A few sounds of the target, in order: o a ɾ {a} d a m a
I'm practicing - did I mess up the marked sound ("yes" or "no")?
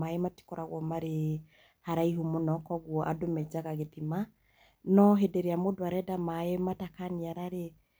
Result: yes